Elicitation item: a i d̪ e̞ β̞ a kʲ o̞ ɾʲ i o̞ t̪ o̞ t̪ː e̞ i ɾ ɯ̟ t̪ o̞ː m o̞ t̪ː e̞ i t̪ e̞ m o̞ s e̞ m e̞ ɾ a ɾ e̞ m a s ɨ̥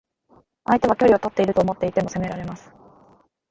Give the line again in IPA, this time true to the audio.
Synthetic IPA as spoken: a i t̪ e̞ β̞ a kʲ o̞ ɾʲ i o̞ t̪ o̞ t̪ː e̞ i ɾ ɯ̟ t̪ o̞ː m o̞ t̪ː e̞ i t̪ e̞ m o̞ s e̞ m e̞ ɾ a ɾ e̞ m a s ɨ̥